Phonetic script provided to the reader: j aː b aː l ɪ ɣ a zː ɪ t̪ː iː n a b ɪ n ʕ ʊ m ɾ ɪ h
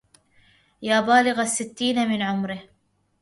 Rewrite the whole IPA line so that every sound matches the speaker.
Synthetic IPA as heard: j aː b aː l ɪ ɣ a sː ɪ t̪ː iː n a m ɪ n ʕ ʊ m ɾ ɪ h